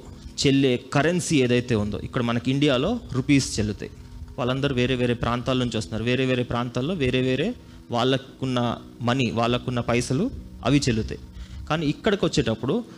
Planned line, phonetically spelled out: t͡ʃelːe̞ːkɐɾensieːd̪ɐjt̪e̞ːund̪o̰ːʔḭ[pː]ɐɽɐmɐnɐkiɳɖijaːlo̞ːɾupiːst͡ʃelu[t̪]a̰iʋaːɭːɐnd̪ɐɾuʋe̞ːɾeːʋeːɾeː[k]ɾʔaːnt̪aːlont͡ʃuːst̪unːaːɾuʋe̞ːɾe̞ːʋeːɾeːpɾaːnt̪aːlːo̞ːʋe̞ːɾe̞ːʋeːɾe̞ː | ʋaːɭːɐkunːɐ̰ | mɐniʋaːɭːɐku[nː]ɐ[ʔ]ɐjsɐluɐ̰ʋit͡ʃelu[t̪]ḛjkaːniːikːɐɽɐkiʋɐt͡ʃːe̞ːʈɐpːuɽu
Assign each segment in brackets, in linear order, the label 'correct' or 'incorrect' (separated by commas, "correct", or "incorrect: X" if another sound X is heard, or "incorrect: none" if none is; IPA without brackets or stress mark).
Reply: incorrect: kː, correct, incorrect: p, correct, incorrect: p, correct